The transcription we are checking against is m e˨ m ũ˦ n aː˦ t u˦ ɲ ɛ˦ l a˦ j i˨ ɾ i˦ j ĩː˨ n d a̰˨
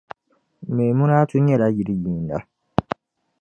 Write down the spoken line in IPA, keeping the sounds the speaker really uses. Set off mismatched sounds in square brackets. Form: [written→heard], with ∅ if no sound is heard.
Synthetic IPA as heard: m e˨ m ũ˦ n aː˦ t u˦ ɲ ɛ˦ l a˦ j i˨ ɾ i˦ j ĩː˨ n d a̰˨